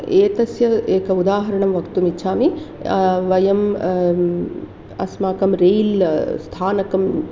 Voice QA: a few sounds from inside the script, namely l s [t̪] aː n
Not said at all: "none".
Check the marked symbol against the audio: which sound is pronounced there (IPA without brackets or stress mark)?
t̪ʰ